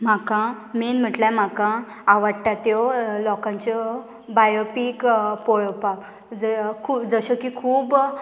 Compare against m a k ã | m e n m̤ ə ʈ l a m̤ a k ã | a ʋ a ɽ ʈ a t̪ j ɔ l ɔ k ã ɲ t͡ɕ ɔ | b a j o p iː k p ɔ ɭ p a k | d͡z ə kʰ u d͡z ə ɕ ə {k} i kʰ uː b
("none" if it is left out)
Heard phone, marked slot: k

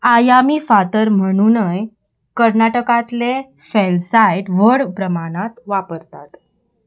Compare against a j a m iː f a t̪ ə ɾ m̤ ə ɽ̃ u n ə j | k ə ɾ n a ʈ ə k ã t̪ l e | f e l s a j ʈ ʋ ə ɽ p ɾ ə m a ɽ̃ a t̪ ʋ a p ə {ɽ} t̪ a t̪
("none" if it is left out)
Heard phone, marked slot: ɾ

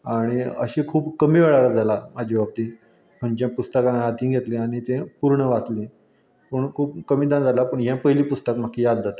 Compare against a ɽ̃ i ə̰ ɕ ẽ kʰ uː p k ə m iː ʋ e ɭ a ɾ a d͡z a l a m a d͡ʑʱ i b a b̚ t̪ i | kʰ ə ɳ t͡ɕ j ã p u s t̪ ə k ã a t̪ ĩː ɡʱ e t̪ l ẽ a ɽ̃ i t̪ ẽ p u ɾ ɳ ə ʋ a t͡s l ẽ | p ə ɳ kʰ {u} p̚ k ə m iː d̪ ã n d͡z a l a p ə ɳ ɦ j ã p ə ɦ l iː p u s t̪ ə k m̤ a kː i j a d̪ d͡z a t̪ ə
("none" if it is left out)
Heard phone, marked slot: uː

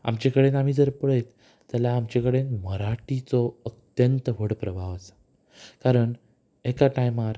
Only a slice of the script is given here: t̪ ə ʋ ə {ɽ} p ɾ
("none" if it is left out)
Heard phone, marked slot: ɽ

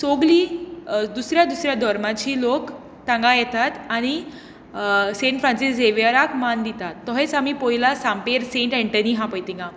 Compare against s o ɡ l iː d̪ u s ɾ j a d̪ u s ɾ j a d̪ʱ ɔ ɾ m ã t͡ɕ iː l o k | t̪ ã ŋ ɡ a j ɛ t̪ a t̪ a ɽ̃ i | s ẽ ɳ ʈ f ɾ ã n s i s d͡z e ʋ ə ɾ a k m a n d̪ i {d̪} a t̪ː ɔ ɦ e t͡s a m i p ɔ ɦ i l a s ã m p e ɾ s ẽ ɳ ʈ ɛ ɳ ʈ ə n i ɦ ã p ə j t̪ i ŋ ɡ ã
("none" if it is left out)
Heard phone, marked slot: t̪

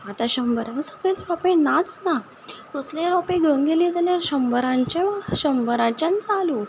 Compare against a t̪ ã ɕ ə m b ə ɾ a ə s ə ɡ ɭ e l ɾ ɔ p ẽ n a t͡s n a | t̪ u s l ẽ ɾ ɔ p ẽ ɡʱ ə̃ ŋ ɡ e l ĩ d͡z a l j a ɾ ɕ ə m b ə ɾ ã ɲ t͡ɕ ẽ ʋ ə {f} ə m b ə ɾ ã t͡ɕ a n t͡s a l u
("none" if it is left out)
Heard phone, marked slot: ɕ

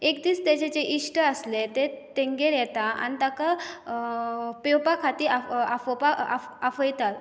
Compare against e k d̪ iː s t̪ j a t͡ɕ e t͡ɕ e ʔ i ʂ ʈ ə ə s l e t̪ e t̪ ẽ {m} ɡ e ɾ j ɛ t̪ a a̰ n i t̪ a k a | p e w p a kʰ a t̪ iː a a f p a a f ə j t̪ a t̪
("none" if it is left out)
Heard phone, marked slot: ŋ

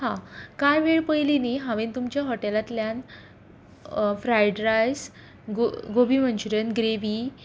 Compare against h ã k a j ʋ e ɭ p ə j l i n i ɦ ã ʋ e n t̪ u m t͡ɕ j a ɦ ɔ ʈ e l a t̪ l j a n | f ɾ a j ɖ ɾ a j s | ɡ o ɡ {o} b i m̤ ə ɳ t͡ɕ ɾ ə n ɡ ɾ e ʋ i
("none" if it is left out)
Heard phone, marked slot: o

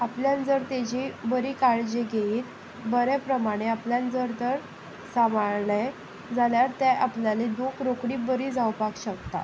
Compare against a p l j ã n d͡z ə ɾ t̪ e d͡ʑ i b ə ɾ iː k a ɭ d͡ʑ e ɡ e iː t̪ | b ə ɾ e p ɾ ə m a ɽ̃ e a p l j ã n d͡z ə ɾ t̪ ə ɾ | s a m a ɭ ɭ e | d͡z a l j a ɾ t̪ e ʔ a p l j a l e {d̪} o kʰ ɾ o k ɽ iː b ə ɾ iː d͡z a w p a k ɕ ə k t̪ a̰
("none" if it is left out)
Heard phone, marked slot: d̪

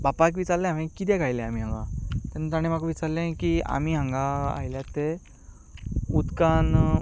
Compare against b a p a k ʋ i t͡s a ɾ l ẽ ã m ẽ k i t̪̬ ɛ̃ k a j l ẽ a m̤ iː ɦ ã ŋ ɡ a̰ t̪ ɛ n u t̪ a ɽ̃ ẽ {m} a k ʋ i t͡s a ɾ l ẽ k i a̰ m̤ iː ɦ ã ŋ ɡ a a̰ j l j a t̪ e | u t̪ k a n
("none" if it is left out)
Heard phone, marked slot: m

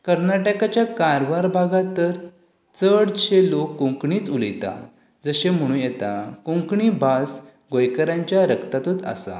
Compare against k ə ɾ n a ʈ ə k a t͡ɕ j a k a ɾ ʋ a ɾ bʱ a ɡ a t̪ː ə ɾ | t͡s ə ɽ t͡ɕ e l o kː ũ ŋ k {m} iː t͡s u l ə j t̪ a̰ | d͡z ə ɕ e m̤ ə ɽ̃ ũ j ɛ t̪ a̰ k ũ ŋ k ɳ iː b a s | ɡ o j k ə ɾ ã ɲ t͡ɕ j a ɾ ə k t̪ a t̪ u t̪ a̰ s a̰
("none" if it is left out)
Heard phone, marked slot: ɳ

